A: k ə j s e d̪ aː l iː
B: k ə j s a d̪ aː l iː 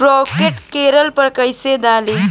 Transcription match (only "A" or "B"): A